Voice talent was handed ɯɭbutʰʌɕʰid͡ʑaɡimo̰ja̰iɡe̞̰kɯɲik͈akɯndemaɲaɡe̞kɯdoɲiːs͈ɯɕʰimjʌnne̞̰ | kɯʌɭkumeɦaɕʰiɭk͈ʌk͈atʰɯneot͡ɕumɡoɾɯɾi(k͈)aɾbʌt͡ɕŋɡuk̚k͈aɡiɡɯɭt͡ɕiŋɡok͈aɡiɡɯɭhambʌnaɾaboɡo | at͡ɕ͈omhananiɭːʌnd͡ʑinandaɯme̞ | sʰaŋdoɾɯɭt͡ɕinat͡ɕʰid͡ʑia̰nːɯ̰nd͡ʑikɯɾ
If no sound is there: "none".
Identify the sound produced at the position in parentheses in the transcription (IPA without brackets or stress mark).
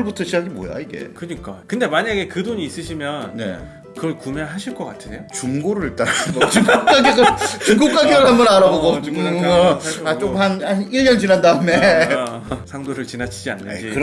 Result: t͈